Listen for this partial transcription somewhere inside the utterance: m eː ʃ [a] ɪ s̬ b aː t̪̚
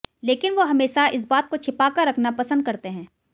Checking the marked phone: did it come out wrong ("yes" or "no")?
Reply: no